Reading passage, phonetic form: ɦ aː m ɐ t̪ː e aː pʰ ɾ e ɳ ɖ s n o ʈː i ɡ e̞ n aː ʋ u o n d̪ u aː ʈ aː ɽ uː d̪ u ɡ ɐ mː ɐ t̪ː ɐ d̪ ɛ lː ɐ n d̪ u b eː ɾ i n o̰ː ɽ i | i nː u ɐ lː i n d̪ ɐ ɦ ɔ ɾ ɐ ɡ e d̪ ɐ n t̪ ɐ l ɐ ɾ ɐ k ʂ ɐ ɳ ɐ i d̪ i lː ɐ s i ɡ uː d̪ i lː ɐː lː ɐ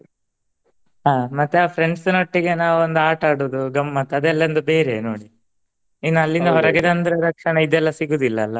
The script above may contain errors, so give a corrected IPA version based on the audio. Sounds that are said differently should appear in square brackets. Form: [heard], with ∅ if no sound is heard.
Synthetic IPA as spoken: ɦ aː m ɐ t̪ː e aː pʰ ɾ e ɳ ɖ s n o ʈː i ɡ e̞ n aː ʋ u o n d̪ u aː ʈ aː ɽ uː d̪ u ɡ ɐ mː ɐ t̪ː ɐ d̪ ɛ lː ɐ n d̪ u b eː ɾ [e] n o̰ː ɽ i | i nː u ɐ lː i n d̪ ɐ ɦ ɔ ɾ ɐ ɡ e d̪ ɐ n [d̪] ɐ [ɾ] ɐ ɾ ɐ k ʂ ɐ ɳ ɐ i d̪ [ɛ] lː ɐ s i ɡ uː d̪ i lː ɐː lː ɐ

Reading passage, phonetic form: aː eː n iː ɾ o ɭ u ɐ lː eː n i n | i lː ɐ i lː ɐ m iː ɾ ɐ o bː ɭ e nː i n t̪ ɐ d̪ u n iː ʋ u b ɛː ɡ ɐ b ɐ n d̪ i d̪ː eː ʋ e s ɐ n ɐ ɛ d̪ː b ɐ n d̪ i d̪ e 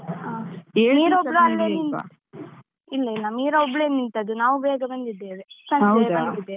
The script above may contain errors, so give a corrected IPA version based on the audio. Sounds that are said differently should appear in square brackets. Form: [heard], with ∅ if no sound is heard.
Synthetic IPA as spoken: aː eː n iː ɾ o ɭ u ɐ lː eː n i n | i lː ɐ i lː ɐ m iː ɾ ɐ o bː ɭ e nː i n t̪ ɐ d̪ u n [aː] ʋ u b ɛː ɡ ɐ b ɐ n d̪ i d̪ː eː ʋ e s ɐ n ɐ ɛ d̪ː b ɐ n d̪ i d̪ e

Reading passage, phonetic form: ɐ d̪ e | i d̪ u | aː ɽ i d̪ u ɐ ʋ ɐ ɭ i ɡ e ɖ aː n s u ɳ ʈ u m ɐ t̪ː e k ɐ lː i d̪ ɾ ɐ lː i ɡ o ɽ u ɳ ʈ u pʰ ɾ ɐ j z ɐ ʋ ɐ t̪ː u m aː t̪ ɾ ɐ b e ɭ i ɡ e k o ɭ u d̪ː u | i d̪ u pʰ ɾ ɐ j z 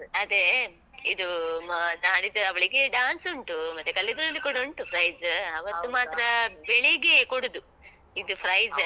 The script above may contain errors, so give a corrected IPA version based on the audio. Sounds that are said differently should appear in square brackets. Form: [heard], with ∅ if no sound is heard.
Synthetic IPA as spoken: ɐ d̪ e | i d̪ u | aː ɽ i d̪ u ɐ ʋ ɐ ɭ i ɡ e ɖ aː n s u ɳ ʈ u m ɐ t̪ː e k ɐ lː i d̪ ɾ ɐ lː i [k] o ɽ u ɳ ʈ u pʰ ɾ ɐ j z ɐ ʋ ɐ t̪ː u m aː t̪ ɾ ɐ b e ɭ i ɡ e k o [ɽ] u [d̪] u | i d̪ u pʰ ɾ ɐ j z

